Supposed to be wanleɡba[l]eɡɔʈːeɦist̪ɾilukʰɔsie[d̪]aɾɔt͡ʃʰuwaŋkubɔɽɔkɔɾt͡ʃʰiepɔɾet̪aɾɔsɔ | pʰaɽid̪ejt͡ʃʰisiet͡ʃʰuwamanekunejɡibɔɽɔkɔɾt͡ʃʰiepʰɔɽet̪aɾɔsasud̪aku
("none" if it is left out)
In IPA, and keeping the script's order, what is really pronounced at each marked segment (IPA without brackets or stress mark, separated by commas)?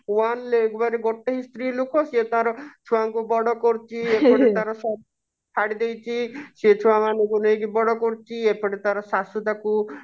ɾ, t̪